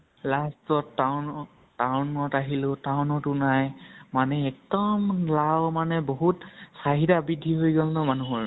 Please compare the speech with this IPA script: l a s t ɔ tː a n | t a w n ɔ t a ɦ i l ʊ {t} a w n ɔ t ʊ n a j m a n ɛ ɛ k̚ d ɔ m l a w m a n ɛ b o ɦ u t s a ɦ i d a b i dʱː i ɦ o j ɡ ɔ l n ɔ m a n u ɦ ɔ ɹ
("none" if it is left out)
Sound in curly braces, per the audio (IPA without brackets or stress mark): t